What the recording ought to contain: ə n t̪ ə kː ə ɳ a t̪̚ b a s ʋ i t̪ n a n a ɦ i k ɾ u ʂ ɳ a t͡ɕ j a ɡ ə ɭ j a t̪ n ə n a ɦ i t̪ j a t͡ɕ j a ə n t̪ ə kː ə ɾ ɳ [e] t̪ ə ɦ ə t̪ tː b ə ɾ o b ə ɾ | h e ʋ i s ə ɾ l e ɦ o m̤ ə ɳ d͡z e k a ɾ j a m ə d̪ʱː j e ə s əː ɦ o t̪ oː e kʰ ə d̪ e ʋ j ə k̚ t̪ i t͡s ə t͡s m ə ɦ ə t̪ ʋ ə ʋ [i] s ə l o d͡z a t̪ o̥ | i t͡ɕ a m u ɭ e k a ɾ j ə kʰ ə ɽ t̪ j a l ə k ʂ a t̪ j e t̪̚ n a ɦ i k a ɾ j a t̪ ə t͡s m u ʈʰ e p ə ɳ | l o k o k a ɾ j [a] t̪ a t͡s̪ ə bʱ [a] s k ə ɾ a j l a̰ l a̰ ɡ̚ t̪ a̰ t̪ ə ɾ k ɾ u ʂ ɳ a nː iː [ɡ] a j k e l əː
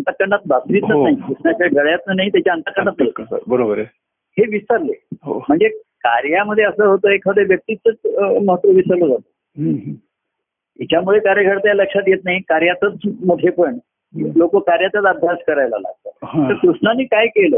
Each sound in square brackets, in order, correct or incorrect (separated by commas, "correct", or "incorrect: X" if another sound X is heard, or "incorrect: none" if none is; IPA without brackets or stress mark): incorrect: a, correct, correct, correct, incorrect: k